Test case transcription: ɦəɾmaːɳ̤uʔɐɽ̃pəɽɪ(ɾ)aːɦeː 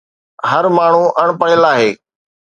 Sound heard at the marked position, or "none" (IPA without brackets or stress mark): l